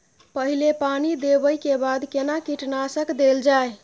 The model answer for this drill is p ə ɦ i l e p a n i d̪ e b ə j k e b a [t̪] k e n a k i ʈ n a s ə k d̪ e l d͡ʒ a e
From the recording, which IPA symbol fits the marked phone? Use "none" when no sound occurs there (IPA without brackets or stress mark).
d̪